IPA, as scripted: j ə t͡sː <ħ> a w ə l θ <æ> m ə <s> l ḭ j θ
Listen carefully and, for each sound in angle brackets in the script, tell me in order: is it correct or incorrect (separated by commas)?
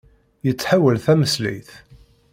correct, correct, correct